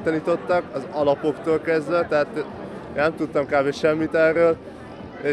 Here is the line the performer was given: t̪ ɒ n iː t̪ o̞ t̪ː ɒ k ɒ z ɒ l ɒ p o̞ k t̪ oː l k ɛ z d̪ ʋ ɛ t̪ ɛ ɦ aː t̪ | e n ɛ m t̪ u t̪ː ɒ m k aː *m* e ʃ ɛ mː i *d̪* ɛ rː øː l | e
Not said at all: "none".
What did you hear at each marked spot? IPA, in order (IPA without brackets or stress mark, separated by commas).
b, t̪